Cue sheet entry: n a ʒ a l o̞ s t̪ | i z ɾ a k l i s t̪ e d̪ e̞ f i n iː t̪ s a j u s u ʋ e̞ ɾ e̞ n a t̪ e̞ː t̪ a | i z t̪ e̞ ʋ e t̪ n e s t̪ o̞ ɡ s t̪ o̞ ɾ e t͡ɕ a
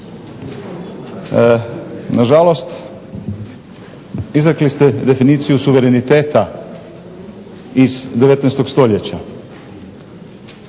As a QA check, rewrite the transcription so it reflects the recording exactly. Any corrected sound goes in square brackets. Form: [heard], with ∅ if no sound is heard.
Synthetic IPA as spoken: n a ʒ a l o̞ s t̪ | i z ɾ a k l i s t̪ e d̪ e̞ f i n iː t̪ s [i] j u s u ʋ e̞ ɾ e̞ n [i] t̪ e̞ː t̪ a | i z [d̪] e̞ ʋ e t̪ n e s t̪ o̞ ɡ s t̪ o̞ [ʎ] e t͡ɕ a